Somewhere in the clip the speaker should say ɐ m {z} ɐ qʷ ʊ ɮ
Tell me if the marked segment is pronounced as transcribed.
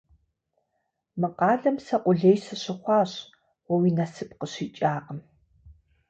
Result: no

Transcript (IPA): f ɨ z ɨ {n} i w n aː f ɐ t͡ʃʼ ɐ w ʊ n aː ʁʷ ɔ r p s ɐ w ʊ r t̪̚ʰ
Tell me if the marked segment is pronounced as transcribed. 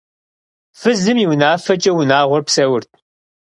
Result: no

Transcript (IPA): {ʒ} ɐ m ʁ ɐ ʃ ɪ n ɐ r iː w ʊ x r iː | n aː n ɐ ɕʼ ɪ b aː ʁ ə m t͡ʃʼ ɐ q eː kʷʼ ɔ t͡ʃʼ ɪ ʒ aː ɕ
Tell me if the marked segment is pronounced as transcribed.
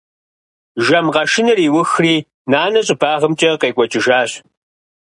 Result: yes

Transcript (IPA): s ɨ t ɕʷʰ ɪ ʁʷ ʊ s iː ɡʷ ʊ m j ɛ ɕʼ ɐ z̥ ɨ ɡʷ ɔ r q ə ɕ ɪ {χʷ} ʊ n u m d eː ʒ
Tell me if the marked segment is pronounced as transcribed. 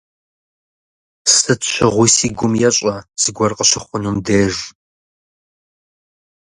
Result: yes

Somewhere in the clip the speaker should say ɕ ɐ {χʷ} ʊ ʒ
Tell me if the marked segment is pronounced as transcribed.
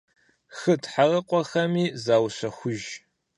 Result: no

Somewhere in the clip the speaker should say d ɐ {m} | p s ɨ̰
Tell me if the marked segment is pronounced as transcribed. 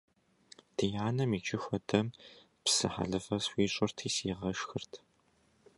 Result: yes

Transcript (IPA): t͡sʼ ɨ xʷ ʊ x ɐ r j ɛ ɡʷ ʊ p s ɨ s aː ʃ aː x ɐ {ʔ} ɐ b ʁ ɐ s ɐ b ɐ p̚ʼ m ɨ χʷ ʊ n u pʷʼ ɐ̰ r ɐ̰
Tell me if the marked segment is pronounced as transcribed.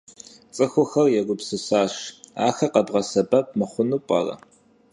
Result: no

